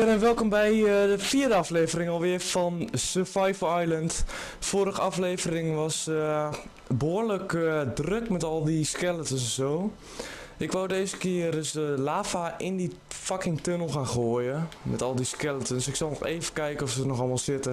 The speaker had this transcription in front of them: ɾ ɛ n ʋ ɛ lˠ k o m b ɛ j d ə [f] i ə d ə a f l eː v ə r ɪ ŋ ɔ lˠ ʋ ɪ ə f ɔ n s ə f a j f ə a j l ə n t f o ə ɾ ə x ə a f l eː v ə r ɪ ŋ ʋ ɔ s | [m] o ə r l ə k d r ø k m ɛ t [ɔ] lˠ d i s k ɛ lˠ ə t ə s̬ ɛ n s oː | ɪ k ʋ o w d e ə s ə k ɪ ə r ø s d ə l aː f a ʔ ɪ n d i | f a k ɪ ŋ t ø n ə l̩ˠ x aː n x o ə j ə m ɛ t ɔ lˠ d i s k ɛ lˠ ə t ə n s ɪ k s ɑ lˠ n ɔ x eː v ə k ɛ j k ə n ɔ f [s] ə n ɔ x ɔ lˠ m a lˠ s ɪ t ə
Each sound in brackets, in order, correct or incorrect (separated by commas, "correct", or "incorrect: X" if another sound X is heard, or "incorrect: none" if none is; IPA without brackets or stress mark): correct, incorrect: b, correct, correct